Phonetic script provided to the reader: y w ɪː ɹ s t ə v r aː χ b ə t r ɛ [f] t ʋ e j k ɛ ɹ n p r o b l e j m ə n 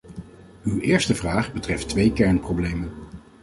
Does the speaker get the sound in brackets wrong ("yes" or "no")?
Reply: no